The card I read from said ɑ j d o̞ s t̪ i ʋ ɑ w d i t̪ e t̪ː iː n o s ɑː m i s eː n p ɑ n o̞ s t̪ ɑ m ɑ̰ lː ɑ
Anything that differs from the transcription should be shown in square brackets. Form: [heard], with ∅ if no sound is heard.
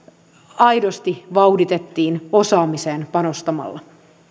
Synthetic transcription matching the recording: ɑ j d o̞ s t̪ i ʋ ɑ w d i t̪ e t̪ː iː n o s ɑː m i s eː n p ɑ n o̞ s t̪ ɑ m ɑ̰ lː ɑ